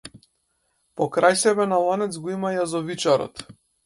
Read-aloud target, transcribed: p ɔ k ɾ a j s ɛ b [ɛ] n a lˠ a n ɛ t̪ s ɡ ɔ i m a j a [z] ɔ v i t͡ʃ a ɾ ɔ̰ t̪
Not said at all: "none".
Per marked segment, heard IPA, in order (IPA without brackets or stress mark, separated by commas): ɛ, z